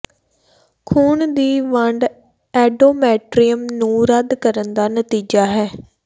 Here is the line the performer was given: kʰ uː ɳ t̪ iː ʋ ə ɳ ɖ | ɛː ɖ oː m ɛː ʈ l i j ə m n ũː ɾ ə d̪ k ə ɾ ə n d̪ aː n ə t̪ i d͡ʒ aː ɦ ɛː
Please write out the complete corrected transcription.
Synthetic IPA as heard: kʰ uː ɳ d̪ iː ʋ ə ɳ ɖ | ɛː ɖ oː m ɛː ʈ ɾ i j ə m n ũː ɾ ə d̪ k ə ɾ ə n d̪ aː n ə t̪ iː d͡ʒ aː ɦ ɛː